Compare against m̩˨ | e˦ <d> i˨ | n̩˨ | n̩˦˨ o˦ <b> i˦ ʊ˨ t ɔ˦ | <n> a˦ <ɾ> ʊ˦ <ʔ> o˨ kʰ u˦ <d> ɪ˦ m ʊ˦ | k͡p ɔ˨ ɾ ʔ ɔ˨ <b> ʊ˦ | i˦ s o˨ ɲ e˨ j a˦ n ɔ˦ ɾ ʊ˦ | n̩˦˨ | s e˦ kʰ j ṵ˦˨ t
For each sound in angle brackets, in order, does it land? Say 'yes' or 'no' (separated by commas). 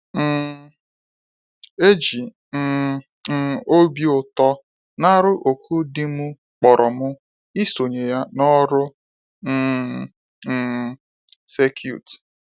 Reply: no, yes, yes, yes, yes, yes, no